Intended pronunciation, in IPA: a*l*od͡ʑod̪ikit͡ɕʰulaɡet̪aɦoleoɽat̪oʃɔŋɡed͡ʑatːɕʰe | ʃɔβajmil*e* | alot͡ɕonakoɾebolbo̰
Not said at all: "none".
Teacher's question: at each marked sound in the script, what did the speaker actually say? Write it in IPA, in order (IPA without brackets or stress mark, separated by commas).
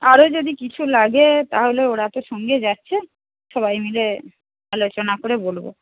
ɾ, e